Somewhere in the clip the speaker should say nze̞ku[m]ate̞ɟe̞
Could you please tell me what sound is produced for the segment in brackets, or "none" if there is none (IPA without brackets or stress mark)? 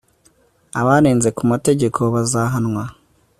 m